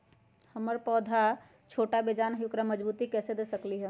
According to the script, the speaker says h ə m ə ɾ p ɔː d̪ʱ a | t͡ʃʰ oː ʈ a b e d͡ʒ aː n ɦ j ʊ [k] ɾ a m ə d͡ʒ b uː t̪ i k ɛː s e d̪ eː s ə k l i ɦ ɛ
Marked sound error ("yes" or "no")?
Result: no